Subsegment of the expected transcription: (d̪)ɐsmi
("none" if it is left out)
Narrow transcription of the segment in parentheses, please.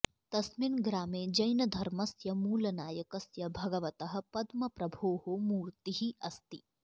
t̪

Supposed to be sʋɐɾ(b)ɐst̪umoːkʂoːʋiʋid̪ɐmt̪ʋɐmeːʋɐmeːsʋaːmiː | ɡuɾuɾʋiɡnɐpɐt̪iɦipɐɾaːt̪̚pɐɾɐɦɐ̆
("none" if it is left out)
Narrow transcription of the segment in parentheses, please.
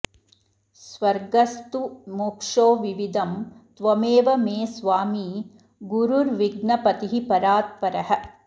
ɡ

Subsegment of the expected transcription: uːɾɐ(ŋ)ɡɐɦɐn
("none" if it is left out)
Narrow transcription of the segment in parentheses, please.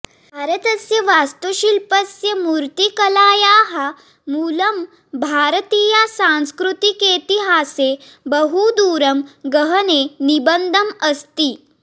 m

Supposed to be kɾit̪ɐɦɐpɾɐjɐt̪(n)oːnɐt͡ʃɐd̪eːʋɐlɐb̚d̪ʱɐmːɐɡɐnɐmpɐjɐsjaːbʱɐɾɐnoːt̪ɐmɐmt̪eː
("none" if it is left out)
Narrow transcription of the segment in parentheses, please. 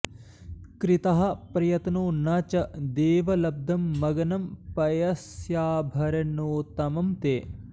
n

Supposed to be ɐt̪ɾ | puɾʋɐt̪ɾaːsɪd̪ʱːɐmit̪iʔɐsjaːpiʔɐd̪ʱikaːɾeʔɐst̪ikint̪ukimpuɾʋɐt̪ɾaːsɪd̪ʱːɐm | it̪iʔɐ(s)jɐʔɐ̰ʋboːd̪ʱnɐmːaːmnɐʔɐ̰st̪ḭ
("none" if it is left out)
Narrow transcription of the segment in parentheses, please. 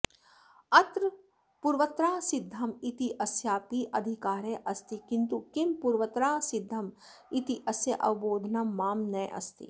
s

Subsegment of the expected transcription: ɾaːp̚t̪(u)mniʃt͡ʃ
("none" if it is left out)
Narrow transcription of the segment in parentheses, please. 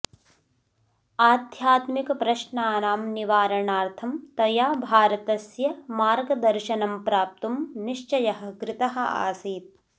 u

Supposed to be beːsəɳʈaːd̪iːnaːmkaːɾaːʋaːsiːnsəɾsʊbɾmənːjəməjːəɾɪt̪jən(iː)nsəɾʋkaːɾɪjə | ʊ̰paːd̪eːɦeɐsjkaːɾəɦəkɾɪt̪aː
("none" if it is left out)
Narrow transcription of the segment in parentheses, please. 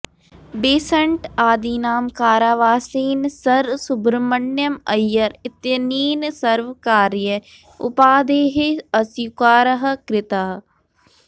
iː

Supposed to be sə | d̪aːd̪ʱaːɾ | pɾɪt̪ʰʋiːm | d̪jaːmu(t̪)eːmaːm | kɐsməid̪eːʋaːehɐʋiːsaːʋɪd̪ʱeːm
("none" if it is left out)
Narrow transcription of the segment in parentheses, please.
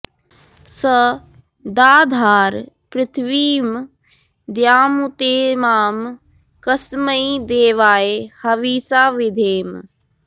t̪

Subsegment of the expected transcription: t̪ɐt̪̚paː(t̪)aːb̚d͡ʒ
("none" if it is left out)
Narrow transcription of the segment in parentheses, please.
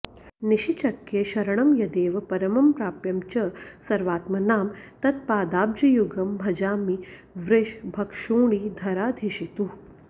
d̪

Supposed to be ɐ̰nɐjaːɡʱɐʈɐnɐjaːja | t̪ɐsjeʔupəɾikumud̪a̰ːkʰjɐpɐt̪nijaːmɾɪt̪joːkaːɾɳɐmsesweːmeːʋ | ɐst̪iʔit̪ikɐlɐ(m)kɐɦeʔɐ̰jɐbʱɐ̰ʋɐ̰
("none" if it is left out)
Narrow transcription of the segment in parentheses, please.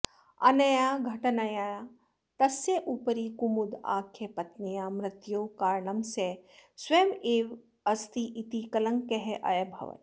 ŋ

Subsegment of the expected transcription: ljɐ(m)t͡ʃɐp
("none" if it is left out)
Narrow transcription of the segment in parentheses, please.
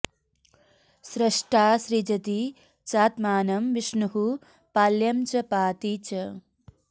m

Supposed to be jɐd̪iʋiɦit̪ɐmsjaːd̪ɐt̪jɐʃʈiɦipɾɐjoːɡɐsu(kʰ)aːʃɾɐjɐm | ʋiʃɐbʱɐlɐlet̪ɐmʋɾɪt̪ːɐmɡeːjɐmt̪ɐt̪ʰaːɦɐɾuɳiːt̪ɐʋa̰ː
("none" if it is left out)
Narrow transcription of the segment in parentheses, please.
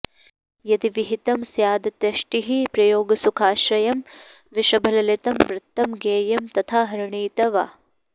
kʰ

